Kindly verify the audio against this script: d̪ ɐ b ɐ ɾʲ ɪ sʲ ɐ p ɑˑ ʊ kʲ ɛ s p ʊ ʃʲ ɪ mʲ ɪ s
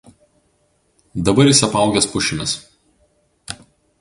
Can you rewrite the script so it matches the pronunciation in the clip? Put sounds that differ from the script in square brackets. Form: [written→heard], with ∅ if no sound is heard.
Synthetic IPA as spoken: d̪ ɐ b ɐ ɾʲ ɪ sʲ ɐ p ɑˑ ʊ [kʲ→ɡʲ] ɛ s p ʊ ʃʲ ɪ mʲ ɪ s